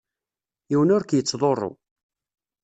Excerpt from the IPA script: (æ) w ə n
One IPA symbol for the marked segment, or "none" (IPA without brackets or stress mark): i